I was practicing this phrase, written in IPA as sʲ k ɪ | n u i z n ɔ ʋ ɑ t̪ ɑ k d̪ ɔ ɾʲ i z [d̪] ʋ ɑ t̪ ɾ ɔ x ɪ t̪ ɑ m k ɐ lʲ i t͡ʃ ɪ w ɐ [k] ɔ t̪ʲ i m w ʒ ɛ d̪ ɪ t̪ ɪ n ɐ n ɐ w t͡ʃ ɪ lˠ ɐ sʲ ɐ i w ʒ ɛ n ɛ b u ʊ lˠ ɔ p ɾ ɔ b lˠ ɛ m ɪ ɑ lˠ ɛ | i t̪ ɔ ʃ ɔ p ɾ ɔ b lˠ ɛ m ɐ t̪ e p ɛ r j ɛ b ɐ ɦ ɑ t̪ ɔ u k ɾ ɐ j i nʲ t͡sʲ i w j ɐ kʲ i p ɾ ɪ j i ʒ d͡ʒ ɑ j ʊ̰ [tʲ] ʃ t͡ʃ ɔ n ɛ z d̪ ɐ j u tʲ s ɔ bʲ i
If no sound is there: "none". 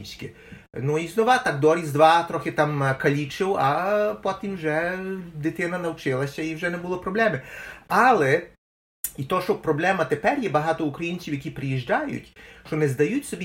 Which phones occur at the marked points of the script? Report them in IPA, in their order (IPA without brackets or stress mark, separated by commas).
d̪, p, tʲ